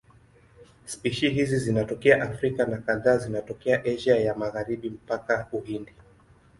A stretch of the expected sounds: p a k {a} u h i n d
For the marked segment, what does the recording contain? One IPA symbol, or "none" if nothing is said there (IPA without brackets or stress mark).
a